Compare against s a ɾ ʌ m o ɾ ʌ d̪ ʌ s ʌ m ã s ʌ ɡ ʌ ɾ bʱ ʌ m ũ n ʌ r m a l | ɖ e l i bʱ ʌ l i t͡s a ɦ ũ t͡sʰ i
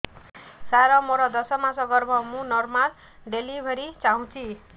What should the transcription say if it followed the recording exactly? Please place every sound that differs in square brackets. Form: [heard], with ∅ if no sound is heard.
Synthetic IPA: s a ɾ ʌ m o ɾ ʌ d̪ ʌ s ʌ m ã s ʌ ɡ ʌ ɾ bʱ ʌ m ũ n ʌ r m a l | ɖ e l i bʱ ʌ [ɾ] i t͡s a ɦ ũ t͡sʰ i